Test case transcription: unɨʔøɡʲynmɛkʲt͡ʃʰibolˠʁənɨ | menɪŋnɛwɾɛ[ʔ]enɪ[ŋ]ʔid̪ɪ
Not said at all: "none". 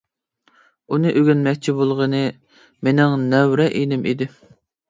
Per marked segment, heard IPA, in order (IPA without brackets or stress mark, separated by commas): ʔ, m